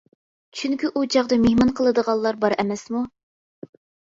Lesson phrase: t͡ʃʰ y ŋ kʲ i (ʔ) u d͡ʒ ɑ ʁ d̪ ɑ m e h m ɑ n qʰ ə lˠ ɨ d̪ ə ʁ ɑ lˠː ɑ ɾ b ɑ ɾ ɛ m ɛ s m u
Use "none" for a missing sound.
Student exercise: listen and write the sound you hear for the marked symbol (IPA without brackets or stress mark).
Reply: ʔ